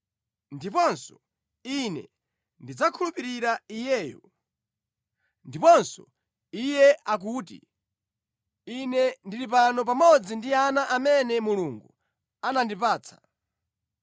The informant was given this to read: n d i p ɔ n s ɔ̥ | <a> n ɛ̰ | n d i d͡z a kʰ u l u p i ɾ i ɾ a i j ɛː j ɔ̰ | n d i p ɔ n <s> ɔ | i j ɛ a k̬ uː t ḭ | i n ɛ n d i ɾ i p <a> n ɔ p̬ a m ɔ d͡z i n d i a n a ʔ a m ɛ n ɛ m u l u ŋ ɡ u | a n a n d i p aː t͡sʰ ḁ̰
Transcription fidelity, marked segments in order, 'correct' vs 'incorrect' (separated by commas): incorrect, correct, correct